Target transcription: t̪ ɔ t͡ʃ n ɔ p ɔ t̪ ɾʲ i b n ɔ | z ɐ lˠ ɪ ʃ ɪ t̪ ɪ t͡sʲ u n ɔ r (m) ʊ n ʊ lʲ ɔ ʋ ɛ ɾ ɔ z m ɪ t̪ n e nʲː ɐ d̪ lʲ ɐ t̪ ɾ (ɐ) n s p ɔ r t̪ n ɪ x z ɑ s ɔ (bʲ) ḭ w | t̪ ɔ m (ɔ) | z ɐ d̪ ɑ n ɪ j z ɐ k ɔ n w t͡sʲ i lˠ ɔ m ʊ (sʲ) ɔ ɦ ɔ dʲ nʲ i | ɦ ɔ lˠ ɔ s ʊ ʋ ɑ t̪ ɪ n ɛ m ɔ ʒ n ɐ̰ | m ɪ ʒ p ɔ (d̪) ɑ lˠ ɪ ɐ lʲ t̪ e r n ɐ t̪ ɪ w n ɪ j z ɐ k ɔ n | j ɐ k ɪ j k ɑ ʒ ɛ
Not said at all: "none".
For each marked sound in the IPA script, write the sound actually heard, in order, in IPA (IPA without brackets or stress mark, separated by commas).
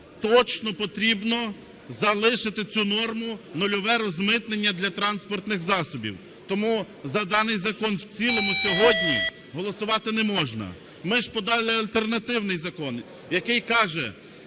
m, ɑ, bʲ, u, sʲ, d̪